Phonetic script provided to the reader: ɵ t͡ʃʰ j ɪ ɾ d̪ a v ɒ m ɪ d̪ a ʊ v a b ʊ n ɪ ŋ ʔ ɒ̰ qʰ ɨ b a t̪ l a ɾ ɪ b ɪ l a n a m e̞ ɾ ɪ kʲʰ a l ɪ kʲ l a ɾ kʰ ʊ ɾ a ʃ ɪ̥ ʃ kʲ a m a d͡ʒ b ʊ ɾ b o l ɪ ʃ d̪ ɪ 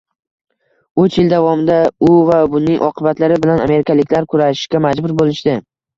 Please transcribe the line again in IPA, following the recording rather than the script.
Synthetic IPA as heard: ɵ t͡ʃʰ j ɪ l d̪ a v ɒ m ɪ d̪ a ʊ v a b ʊ n ɪ ŋ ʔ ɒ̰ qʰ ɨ b a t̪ l a ɾ ɪ b ɪ l a n a m e̞ ɾ ɪ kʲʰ a l ɪ kʲ l a ɾ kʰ ʊ ɾ a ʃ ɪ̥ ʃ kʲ a m a d͡ʒ b ʊ ɾ b o l ɪ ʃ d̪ ɪ